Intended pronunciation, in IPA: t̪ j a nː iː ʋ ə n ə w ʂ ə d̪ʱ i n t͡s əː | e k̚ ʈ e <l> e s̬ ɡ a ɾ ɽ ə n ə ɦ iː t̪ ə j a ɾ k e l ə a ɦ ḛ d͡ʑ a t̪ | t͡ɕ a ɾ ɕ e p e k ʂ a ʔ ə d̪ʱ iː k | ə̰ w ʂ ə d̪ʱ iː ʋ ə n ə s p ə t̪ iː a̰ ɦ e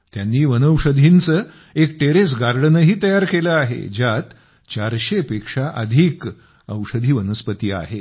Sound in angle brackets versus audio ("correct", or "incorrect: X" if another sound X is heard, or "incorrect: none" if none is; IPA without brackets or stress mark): incorrect: ɾ